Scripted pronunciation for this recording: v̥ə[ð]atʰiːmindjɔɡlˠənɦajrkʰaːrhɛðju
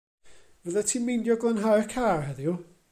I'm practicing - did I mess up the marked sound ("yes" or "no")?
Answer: no